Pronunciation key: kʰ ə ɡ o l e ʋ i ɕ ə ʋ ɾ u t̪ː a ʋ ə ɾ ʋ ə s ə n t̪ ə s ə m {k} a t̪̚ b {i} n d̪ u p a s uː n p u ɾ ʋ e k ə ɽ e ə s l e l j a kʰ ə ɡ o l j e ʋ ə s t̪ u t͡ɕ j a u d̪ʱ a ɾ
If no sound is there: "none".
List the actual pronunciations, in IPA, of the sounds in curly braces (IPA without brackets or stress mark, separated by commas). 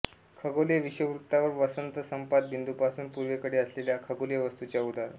p, i